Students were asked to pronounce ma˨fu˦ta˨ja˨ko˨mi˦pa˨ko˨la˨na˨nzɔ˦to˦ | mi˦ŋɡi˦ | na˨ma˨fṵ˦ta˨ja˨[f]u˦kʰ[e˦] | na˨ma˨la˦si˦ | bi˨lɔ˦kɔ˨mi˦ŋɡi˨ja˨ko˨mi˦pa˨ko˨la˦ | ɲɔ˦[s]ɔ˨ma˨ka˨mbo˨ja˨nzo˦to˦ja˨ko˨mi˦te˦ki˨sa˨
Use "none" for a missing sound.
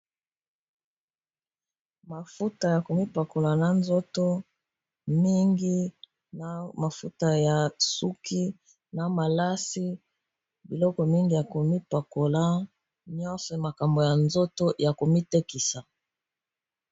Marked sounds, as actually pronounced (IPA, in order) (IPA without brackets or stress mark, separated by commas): s, i˦, s